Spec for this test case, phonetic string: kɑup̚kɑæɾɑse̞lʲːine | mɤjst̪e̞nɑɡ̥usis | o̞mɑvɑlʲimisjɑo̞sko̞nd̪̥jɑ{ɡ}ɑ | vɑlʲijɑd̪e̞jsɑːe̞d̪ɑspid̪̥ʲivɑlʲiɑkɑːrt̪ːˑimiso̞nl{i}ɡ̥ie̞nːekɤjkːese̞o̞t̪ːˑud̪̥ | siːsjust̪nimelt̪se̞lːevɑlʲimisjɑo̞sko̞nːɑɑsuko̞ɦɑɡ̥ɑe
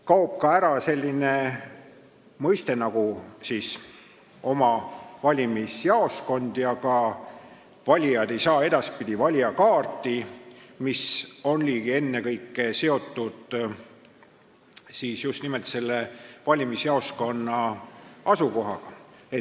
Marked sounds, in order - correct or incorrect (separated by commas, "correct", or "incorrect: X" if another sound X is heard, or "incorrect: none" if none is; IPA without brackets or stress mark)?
incorrect: k, incorrect: iː